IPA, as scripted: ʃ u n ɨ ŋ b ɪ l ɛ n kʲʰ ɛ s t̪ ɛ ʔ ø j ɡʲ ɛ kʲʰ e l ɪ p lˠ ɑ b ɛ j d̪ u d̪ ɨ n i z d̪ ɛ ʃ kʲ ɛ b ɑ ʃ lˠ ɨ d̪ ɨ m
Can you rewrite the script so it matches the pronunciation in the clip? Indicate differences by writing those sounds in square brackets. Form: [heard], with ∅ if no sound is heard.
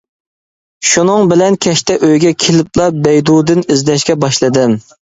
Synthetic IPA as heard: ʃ u n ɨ ŋ b ɪ l ɛ n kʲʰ ɛ [ʃ] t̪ ɛ ʔ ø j ɡʲ ɛ kʲʰ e l ɪ p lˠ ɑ b ɛ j d̪ u d̪ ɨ n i z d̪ ɛ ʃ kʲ ɛ b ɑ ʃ lˠ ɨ d̪ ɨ m